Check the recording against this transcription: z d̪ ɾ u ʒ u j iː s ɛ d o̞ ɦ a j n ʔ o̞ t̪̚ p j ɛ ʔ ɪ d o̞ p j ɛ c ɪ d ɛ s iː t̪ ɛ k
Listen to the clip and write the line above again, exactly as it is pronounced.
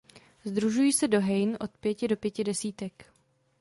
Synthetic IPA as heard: z d̪ ɾ u ʒ u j iː s ɛ d o̞ ɦ ɛ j n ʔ o̞ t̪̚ p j ɛ c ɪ d o̞ p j ɛ c ɪ d ɛ s iː t̪ ɛ k